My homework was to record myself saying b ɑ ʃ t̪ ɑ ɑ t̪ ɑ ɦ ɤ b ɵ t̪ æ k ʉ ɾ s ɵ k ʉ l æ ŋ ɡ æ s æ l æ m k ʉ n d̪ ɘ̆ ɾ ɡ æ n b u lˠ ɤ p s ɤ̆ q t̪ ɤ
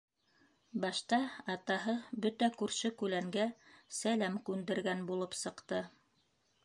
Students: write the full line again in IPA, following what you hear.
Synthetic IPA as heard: b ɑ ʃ t̪ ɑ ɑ t̪ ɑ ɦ ɤ b ɵ t̪ æ k ʉ ɾ ʃ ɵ k ʉ l æ ŋ ɡ æ s æ l æ m k ʉ n d̪ ɘ̆ ɾ ɡ æ n b u lˠ ɤ p s ɤ̆ q t̪ ɤ